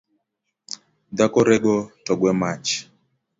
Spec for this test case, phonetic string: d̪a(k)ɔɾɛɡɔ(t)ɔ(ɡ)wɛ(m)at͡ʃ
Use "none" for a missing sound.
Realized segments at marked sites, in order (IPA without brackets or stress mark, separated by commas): k, t, ɡ, m